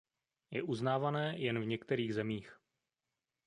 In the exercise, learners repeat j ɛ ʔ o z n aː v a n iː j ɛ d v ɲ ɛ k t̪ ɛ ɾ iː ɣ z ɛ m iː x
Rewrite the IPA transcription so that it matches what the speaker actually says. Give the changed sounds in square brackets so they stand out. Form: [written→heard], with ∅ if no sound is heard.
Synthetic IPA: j ɛ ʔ [o→u] z n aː v a n [iː→ɛː] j ɛ [d→n] v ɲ ɛ k t̪ ɛ ɾ iː ɣ z ɛ m iː x